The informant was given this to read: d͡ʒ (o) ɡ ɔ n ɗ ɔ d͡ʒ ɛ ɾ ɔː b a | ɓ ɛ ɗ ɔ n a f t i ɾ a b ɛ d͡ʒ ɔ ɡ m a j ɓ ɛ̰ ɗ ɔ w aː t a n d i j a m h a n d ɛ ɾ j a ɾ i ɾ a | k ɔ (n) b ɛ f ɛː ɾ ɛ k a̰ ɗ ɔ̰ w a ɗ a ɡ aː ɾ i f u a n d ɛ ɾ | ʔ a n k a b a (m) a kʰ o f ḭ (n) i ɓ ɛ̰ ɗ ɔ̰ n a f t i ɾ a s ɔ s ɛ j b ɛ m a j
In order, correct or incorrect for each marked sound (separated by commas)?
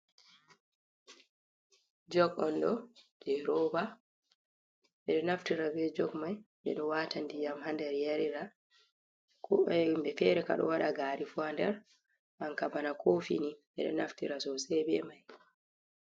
incorrect, incorrect, incorrect, correct